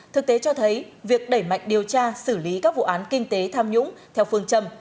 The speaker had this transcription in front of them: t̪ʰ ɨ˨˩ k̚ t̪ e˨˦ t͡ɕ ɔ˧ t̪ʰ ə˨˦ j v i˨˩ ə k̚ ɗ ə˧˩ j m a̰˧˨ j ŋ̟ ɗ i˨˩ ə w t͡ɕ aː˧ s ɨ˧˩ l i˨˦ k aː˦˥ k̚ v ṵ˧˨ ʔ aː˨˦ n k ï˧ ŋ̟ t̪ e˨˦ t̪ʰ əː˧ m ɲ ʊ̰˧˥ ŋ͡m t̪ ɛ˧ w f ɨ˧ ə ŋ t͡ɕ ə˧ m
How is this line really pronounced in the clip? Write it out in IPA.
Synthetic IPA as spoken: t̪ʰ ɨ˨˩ k̚ t̪ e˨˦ t͡ɕ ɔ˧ t̪ʰ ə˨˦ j v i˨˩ ə k̚ ɗ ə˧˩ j m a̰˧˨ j ŋ̟ ɗ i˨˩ ə w t͡ɕ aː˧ s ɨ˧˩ l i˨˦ k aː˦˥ k̚ v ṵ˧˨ ʔ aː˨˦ n k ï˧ ŋ̟ t̪ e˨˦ t̪ʰ aː˧ m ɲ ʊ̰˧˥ ŋ͡m t̪ʰ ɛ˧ w f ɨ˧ ə ŋ t͡ɕ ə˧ m